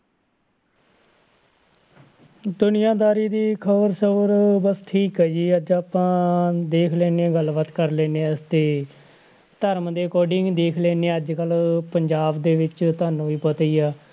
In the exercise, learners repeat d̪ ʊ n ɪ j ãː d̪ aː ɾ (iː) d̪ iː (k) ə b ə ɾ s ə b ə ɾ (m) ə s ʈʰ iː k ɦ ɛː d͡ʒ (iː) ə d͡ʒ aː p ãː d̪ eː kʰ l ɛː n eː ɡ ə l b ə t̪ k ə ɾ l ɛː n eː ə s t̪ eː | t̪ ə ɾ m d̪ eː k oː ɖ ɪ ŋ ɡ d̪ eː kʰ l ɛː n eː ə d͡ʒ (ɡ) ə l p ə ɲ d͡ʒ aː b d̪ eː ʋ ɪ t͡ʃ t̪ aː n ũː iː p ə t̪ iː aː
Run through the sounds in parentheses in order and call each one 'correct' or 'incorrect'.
correct, incorrect: kʰ, incorrect: b, correct, incorrect: k

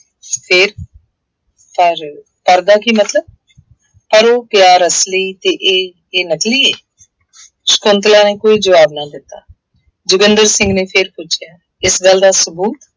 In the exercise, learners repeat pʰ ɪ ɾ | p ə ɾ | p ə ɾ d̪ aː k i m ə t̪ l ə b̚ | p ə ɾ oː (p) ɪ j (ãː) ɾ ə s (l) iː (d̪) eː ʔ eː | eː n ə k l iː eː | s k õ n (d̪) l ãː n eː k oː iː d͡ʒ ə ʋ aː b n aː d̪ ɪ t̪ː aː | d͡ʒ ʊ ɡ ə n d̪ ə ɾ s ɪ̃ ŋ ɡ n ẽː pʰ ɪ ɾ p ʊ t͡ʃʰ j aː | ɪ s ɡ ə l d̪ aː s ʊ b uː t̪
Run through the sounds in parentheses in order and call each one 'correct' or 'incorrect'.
correct, incorrect: aː, correct, incorrect: t̪, incorrect: t̪

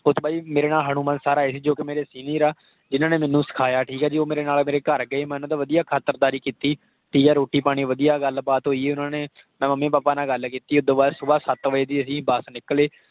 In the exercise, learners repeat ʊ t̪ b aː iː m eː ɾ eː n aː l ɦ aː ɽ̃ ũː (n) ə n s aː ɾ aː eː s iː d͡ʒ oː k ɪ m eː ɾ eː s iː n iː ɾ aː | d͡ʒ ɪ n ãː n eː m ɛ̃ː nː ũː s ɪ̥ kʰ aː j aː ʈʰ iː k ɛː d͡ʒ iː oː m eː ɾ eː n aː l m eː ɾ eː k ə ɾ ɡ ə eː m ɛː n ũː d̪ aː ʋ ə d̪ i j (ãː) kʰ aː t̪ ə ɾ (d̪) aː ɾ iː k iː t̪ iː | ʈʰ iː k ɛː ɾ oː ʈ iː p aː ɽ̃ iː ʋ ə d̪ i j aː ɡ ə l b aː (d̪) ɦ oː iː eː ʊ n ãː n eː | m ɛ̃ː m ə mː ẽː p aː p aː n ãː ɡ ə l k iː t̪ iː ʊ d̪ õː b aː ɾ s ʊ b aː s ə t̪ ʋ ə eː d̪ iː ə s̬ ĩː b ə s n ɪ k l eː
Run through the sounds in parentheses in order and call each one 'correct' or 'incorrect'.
incorrect: m, incorrect: aː, correct, incorrect: t̪

